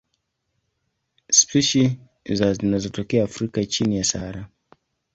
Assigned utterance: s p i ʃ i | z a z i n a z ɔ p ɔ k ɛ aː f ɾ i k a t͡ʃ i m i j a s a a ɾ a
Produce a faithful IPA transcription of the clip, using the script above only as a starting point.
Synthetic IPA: s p i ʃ i | z a z i n a z ɔ t ɔ k ɛ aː f ɾ i k a t͡ʃ i n i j a s a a ɾ a